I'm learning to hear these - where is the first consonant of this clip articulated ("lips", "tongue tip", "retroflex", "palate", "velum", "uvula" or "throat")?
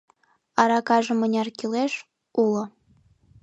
tongue tip